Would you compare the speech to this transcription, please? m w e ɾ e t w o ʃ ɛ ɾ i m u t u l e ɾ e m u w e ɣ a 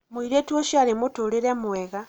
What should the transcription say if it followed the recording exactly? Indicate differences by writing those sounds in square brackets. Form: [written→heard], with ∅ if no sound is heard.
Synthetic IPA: m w [e→i] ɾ e t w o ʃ [ɛ→a] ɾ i m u t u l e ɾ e m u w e ɣ a